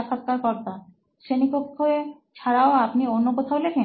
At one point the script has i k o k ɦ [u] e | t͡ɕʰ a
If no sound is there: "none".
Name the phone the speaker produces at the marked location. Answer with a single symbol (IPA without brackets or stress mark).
o